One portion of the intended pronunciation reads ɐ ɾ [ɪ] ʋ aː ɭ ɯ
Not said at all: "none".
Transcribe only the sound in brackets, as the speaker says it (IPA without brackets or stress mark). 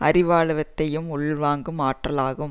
ɪ